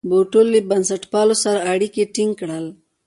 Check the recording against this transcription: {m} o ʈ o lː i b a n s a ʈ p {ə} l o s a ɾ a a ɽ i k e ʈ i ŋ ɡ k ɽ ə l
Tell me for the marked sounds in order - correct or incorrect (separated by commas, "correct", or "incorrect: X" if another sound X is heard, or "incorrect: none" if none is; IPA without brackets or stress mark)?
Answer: incorrect: b, incorrect: ɑ